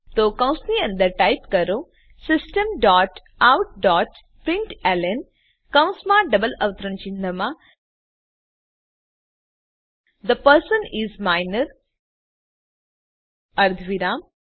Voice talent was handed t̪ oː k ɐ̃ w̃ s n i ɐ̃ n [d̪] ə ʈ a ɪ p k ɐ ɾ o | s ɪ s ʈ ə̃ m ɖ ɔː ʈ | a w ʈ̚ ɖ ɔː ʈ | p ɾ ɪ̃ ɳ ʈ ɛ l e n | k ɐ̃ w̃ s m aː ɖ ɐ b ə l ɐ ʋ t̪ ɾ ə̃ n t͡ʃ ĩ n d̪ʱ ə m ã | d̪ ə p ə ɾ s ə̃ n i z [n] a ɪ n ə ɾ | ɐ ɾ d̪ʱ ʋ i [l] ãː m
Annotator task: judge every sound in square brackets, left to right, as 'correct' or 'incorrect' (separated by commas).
correct, incorrect, incorrect